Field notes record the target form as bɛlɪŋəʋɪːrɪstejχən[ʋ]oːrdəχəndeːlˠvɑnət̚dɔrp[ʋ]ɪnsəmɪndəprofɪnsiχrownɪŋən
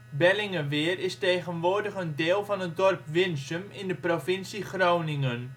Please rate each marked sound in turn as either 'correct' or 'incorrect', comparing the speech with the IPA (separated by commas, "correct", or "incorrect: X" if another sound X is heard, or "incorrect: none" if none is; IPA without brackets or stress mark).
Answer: correct, correct